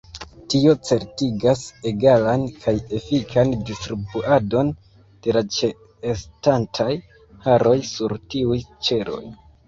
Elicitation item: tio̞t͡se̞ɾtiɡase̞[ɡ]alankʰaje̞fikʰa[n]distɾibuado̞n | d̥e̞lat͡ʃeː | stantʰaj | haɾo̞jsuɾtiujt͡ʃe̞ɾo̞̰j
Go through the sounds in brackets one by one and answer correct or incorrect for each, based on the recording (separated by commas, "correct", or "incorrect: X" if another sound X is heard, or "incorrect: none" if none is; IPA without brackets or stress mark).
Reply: correct, correct